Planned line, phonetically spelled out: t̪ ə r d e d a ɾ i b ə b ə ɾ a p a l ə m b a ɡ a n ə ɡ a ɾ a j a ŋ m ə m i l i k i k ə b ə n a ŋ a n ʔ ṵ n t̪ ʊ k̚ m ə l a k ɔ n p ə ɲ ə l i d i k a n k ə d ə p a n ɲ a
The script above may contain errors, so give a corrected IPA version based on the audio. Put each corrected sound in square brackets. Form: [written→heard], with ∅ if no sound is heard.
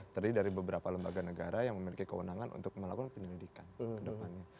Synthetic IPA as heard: t̪ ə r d [e→i] d a ɾ i b ə b ə ɾ a p a l ə m b a ɡ a n ə ɡ a ɾ a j a ŋ m ə m i l i k i k ə [b→w] ə n a ŋ a n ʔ ṵ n t̪ ʊ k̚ m ə l a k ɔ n p ə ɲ ə l i d i k a n k ə d ə p a n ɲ a